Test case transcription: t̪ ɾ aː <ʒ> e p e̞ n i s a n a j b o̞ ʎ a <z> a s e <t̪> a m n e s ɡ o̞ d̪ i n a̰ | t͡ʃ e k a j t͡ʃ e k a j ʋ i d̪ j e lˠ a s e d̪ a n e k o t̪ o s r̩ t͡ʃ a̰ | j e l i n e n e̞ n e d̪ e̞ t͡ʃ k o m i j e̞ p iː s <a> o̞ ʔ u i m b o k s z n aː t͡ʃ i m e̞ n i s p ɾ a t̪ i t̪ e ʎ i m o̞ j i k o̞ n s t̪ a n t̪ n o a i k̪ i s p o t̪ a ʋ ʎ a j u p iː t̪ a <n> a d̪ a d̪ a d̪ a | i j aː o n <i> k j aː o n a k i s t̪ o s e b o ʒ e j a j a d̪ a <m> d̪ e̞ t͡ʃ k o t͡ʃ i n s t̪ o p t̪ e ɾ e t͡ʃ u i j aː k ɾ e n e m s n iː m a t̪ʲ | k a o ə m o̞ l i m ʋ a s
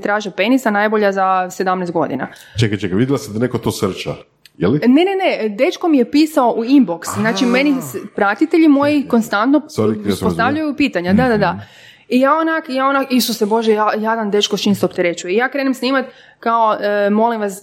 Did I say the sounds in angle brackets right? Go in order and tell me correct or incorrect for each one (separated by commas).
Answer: correct, correct, incorrect, correct, incorrect, incorrect, incorrect